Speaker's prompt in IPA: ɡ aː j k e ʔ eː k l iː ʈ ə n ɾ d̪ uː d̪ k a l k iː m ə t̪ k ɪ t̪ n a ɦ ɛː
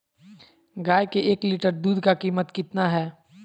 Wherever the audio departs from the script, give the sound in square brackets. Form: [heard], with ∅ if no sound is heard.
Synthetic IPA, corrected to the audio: ɡ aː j k e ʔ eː k l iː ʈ ə [∅] ɾ d̪ uː d̪ k a [∅] k iː m ə t̪ k ɪ t̪ n a ɦ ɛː